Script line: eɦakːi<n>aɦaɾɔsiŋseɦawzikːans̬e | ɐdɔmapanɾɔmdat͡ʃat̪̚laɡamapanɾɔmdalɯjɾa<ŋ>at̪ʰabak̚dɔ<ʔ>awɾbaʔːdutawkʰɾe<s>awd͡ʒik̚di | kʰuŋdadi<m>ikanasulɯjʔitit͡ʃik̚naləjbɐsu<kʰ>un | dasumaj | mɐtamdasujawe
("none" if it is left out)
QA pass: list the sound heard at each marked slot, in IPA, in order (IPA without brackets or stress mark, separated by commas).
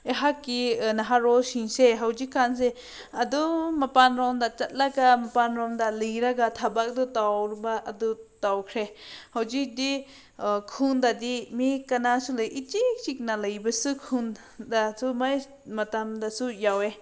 n, ɡ, t, h, m, kʰ